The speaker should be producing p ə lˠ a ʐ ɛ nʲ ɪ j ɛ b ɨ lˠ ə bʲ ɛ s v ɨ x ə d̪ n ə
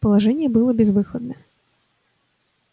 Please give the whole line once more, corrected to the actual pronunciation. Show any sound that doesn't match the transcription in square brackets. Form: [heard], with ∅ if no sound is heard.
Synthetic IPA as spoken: p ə lˠ a ʐ ɛ nʲ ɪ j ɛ b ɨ lˠ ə bʲ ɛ [z] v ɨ x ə d̪ n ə